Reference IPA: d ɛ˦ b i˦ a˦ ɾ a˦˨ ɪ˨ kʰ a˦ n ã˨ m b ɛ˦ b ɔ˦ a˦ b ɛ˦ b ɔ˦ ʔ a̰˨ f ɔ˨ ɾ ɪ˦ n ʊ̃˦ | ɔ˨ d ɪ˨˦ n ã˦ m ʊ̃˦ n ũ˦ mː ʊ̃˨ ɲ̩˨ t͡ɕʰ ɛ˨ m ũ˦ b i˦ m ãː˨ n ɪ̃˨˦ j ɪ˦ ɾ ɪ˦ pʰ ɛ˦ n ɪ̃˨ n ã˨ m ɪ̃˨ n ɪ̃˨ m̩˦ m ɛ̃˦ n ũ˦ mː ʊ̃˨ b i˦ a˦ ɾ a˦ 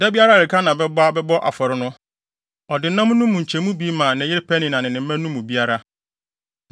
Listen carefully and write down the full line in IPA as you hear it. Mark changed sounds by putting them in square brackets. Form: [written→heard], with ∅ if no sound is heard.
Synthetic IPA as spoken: d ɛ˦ b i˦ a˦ ɾ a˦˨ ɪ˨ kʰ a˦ n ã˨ [m→∅] b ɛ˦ b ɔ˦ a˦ b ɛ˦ b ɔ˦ ʔ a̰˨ f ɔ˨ ɾ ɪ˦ n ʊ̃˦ | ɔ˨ d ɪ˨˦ n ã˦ m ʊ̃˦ n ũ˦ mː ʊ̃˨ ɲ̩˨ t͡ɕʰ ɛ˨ m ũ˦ b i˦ m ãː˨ n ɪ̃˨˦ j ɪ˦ ɾ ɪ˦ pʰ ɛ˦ n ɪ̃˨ n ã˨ [m→n] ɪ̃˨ n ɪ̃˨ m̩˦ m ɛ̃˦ n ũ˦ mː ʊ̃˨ b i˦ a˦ ɾ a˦

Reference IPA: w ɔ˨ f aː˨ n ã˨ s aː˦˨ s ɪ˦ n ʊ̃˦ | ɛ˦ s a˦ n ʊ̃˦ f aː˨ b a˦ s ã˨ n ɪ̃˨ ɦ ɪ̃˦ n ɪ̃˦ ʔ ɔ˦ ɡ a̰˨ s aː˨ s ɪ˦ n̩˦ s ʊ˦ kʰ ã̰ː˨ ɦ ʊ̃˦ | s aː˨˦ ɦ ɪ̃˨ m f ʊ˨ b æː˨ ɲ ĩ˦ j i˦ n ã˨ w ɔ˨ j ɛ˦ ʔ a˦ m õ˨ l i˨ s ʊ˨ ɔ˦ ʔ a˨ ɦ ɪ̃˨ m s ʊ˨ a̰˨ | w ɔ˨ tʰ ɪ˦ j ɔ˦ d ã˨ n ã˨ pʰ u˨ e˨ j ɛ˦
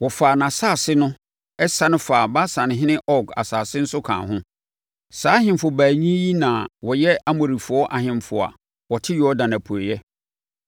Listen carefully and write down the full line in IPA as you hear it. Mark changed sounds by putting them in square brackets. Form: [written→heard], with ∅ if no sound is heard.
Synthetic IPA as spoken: w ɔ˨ f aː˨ n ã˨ s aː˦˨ s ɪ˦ n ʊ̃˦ | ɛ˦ s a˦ n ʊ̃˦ f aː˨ b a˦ s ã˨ n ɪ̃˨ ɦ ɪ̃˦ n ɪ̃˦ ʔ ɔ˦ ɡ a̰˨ s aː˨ s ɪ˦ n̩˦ s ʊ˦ kʰ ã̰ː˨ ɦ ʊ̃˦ | s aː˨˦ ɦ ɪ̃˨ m f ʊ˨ b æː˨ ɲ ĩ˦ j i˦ n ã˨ w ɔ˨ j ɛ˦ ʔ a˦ m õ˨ [l→ɾ] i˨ [s→f] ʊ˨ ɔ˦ ʔ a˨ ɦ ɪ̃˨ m [s→f] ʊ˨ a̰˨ | w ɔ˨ tʰ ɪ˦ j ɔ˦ d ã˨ n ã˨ pʰ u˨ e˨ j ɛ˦

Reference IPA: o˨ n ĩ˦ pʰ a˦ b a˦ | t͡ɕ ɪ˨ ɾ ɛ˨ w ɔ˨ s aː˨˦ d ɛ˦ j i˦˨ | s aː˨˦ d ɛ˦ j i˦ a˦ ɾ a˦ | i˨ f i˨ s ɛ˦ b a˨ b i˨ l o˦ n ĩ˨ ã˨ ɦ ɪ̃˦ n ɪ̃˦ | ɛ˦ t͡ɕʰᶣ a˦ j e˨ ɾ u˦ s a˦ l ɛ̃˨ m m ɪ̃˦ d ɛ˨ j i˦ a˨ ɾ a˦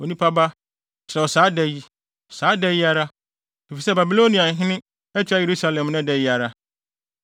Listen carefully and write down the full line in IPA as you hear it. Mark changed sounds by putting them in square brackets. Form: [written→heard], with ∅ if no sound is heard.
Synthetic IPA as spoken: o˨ n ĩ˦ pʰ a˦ b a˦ | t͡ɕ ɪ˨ ɾ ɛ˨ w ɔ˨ s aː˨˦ d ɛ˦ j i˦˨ | s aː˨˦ d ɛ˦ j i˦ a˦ ɾ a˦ | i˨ f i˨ s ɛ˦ b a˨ b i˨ l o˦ n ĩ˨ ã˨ ɦ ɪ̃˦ n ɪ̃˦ | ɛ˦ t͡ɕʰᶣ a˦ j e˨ ɾ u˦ s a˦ l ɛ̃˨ m [m→n] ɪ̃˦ d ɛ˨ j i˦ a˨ ɾ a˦

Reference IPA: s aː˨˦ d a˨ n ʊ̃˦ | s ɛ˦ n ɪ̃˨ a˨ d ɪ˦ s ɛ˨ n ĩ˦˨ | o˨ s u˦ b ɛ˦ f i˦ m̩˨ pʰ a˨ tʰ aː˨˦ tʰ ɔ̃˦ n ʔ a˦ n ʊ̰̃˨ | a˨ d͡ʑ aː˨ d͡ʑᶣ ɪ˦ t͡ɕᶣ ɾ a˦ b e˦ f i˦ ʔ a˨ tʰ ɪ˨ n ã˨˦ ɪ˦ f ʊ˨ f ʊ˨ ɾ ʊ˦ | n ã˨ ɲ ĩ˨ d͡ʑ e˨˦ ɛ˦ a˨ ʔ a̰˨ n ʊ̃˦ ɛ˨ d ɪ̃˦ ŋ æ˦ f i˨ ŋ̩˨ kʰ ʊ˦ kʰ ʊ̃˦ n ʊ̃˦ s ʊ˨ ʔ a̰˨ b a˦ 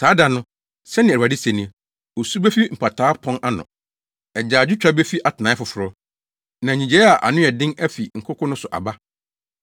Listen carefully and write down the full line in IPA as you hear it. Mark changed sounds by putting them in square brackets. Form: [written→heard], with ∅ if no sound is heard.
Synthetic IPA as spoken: s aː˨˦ d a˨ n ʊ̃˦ | s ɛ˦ n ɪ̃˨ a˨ d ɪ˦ s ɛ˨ n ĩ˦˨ | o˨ s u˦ b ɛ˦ f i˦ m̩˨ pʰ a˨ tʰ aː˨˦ [tʰ→pʰ] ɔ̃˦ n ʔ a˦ n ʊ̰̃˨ | [a˨→ɛ˨] d͡ʑ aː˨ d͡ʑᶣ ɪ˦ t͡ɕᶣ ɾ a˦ b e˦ f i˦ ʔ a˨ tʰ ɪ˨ n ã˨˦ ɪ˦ f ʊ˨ f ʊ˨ ɾ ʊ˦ | n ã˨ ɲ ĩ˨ d͡ʑ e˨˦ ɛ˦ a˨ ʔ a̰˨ n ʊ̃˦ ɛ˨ d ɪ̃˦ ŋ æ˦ f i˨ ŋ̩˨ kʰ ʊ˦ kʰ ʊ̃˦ n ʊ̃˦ s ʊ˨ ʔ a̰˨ b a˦

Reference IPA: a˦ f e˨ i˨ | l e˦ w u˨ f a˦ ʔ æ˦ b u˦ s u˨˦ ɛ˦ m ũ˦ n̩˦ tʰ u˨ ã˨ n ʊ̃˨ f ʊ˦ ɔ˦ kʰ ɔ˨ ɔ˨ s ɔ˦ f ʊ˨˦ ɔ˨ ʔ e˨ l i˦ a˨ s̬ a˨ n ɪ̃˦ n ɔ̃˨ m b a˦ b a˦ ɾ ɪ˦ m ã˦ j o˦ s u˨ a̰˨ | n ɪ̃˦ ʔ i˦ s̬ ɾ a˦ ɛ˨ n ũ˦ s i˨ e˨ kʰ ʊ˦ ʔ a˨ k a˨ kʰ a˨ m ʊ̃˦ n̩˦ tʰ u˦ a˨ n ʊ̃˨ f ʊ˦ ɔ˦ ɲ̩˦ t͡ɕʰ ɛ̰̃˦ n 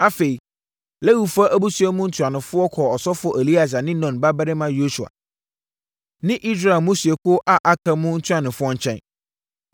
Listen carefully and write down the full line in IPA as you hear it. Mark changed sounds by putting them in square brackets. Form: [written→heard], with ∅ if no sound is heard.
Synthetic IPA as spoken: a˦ f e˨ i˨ | l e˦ w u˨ f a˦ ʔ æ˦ b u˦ s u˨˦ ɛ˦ m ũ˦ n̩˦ tʰ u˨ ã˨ n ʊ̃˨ f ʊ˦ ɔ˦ kʰ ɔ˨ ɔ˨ s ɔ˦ f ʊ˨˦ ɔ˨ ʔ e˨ l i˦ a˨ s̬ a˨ n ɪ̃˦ n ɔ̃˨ [m→n] b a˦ b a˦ ɾ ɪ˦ m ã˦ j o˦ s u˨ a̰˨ | n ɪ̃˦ ʔ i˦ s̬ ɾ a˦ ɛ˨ [n→m] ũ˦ s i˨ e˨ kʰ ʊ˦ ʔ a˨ [k→ʔ] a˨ kʰ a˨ m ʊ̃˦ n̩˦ tʰ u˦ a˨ n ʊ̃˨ f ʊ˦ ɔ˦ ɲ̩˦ t͡ɕʰ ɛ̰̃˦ n

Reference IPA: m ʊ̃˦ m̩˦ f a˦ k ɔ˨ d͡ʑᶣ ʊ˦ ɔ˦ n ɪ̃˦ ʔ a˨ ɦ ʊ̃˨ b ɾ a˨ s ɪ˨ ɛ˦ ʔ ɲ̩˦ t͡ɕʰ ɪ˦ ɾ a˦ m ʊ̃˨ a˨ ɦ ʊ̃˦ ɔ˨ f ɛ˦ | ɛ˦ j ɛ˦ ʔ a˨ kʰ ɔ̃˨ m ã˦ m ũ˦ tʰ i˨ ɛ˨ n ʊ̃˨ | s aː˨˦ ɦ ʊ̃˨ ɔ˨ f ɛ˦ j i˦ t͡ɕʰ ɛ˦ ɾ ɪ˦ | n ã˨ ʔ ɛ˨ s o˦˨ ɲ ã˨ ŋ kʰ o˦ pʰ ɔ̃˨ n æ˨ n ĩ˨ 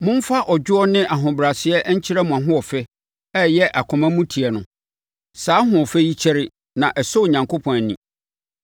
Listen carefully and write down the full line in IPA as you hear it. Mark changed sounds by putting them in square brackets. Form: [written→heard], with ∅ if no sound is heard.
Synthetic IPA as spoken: m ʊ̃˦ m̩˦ f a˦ [k→ʔ] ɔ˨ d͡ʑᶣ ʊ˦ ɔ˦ n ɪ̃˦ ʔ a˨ ɦ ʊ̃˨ b ɾ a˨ s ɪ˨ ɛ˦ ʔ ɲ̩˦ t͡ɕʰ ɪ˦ ɾ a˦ m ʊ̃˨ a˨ ɦ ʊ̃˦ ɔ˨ f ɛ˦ | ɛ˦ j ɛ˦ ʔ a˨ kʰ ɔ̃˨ m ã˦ m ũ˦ tʰ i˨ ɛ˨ n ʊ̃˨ | s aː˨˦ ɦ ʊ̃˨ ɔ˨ f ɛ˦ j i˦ t͡ɕʰ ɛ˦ ɾ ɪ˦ | n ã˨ ʔ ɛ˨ s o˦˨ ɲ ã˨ ŋ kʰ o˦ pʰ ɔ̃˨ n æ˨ n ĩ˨

